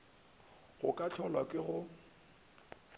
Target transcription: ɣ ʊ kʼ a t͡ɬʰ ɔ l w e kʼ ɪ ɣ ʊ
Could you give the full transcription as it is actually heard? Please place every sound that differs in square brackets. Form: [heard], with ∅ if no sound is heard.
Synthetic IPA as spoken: ɣ ʊ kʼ a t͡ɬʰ ɔ l w [a] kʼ ɪ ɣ ʊ

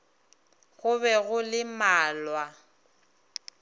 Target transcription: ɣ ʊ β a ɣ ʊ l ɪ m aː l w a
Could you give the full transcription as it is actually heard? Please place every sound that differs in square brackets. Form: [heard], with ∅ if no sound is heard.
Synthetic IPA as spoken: ɣ ʊ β [ɛ] ɣ ʊ l ɪ m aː l w a

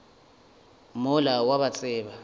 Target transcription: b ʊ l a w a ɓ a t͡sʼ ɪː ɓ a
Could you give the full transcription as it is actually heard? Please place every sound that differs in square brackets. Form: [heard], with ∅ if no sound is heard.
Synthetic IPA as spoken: [m] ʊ l a w a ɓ a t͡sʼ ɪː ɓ a

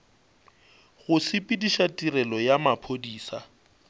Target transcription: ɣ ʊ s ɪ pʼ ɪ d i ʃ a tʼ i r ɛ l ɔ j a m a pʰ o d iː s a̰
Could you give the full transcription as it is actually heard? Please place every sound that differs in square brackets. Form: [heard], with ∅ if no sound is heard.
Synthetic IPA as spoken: ɣ ʊ s ɪ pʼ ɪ d i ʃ a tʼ i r ɛ l ɔ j a m a pʰ o d iː s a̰

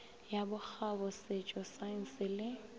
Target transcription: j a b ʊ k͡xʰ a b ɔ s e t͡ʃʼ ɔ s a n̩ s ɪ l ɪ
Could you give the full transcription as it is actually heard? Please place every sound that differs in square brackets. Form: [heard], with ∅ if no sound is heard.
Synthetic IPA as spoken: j a b ʊ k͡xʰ a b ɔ s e t͡ʃʼ ɔ s a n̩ s ɪ l ɪ

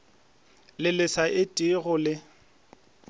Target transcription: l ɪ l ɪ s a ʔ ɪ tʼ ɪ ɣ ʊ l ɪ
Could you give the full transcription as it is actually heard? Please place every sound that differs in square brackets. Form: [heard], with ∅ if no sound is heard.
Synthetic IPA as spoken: l ɪ l ɪ s a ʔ ɪ tʼ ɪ ɣ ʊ l ɪ

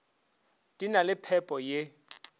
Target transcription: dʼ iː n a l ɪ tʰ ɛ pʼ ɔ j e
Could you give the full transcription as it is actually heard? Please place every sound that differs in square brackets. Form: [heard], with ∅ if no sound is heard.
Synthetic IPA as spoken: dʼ [i] n a l ɪ [pʰ] ɛ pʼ ɔ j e

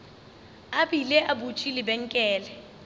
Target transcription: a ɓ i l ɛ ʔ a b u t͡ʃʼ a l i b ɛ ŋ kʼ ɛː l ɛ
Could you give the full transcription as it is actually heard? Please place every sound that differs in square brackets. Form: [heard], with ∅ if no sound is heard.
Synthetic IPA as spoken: a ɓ i l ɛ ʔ a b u t͡ʃʼ [i] l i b ɛ ŋ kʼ ɛː l ɛ

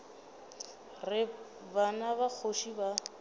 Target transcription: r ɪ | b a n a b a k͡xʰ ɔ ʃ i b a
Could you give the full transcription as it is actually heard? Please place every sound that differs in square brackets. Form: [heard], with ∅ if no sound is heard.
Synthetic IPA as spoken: r ɪ | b a n a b a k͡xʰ [o] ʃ i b a

